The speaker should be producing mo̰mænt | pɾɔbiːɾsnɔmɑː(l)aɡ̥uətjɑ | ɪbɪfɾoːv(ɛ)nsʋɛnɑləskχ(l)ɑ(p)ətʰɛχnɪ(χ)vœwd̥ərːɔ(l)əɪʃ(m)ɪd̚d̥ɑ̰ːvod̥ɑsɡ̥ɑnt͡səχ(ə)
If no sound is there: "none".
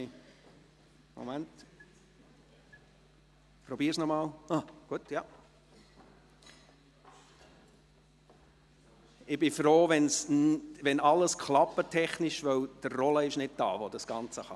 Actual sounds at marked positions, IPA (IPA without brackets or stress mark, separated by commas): l, ɛ, l, p, ʃ, l, n, ɑ